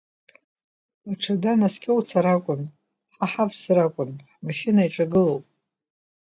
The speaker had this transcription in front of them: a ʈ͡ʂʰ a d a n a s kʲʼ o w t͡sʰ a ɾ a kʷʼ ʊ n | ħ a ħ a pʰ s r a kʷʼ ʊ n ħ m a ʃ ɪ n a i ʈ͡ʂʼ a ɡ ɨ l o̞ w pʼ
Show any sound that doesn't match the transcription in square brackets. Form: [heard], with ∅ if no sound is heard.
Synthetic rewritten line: a ʈ͡ʂʰ a d a n a s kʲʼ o w t͡sʰ a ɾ a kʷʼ ʊ n | ħ a ħ a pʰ s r a kʷʼ ʊ n ħ m a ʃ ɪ n a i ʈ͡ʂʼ a ɡ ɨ l o̞ w pʼ